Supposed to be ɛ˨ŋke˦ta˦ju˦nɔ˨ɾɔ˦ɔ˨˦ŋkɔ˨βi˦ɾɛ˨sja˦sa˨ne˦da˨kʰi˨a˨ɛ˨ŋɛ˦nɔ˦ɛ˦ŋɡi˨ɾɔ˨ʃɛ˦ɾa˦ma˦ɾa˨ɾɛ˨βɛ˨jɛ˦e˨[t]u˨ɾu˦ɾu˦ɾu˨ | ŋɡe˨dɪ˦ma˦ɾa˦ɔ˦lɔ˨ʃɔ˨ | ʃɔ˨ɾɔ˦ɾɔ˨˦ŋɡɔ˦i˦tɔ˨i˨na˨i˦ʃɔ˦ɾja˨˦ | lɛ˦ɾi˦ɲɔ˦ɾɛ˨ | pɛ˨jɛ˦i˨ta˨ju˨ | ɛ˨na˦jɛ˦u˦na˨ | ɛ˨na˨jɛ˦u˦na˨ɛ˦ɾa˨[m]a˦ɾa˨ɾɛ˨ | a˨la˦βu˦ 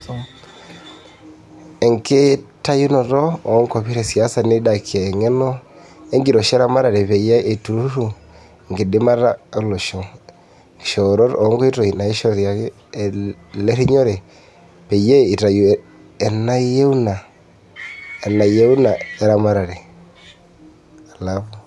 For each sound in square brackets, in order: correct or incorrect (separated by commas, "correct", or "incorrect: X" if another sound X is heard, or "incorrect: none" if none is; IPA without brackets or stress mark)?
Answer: correct, correct